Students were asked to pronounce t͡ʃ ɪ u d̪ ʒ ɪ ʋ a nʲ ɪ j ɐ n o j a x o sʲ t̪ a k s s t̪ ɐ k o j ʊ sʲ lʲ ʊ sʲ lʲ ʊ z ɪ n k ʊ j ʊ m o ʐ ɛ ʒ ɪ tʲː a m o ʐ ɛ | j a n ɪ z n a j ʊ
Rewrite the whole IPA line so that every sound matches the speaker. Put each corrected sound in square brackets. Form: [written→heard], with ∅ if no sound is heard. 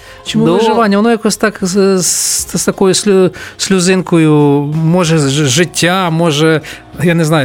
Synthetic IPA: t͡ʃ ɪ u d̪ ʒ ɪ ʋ a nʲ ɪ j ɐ n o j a [x→k] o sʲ t̪ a k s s t̪ ɐ k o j ʊ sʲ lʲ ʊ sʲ lʲ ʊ z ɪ n k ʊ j ʊ m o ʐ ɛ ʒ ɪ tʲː a m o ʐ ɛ | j a n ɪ z n a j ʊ